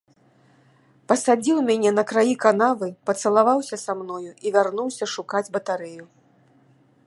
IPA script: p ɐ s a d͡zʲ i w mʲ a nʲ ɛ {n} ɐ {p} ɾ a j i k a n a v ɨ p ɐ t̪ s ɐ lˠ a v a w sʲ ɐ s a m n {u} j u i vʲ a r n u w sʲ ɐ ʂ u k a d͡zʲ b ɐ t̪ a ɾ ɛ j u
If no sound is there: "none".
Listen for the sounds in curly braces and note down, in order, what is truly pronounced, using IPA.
n, k, ɔ

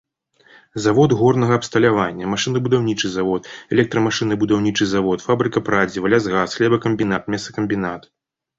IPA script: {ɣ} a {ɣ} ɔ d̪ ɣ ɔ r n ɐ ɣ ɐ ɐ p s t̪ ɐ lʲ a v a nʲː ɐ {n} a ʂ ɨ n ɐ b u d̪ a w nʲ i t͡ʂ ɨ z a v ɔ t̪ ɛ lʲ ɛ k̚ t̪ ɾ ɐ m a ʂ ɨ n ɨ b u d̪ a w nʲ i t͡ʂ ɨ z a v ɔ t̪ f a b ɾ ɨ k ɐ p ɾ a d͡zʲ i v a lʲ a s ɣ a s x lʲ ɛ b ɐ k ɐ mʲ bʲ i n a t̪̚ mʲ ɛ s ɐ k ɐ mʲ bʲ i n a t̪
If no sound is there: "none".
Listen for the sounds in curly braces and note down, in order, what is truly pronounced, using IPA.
z, v, m

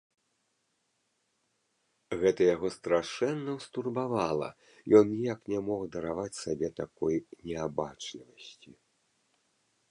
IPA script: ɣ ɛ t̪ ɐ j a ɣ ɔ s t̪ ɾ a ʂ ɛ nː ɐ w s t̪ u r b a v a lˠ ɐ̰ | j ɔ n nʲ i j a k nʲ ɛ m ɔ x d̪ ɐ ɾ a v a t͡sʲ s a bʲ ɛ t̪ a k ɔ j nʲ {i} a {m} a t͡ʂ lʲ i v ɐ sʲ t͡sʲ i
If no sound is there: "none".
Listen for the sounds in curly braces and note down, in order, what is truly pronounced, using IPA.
ɛ, b

